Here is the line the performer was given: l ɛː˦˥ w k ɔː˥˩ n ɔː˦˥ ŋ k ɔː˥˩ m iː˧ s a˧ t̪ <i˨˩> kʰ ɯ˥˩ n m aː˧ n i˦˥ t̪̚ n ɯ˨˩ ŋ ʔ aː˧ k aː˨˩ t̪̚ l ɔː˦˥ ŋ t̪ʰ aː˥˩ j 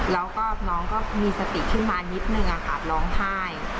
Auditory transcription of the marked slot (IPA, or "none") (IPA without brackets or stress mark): i˨˩